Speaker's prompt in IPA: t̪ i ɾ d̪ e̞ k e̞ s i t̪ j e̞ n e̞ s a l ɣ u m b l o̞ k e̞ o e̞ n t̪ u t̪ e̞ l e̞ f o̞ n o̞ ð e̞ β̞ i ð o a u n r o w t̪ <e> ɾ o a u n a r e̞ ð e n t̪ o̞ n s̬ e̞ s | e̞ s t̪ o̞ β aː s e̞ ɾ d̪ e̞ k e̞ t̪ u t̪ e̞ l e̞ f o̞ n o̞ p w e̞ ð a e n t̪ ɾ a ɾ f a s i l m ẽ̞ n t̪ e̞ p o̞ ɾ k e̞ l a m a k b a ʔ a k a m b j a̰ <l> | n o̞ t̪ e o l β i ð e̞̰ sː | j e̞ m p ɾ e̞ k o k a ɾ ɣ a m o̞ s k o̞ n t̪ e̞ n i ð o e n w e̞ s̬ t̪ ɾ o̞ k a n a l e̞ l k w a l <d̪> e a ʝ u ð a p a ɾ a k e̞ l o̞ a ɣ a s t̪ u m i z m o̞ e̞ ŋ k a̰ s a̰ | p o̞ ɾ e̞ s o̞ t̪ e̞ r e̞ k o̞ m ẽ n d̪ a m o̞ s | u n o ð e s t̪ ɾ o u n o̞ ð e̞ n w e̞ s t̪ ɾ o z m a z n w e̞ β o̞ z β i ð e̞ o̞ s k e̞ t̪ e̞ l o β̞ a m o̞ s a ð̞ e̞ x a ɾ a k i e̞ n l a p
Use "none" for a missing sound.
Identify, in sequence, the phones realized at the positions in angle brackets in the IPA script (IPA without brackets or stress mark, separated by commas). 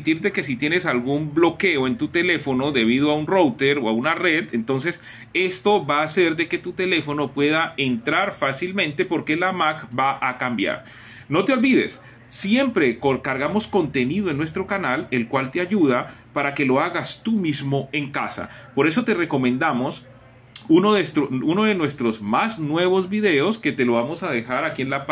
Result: e, ɾ, t̪